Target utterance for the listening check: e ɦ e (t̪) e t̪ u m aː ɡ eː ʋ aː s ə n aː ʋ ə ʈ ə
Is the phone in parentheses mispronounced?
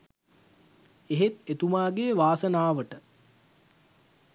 no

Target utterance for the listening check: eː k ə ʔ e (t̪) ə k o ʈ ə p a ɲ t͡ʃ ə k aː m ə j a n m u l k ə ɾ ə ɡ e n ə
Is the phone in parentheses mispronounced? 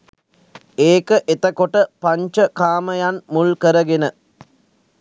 no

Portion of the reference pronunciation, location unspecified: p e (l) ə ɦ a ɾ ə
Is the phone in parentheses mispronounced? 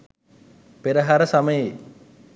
yes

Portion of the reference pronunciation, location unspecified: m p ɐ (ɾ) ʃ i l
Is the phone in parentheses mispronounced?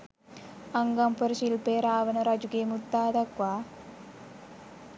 no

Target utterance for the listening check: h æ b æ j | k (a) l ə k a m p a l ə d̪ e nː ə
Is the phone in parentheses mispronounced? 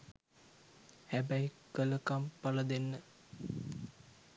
yes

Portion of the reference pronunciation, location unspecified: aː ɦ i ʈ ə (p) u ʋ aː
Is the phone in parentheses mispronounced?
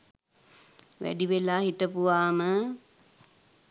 no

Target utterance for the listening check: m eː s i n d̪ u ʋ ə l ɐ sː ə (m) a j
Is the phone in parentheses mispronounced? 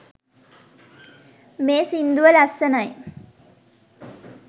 yes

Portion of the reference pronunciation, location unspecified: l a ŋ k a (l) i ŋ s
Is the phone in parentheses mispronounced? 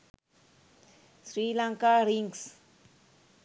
yes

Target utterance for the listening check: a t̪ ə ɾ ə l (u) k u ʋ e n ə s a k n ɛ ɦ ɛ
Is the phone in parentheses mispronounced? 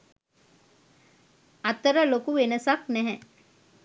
yes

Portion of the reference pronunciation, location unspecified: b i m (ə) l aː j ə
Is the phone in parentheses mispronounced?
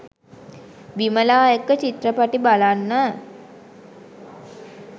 no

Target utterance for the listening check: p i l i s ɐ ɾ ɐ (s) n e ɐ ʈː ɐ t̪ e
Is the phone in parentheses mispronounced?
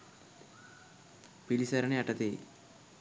yes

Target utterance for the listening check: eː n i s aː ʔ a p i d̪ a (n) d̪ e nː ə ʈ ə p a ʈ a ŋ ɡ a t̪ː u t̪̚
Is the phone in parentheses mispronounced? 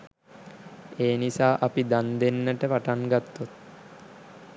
no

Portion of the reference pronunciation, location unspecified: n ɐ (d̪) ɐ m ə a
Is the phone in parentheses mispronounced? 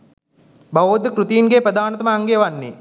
yes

